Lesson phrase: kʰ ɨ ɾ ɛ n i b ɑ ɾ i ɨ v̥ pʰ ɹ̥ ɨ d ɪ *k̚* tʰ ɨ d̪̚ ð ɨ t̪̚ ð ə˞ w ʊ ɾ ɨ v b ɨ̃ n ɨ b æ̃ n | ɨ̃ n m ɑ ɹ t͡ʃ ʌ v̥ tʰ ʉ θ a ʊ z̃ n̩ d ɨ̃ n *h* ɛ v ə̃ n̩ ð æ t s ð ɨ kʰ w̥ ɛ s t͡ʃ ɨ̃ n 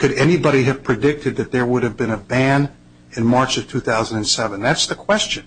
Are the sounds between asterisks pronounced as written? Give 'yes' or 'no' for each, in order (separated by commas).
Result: yes, no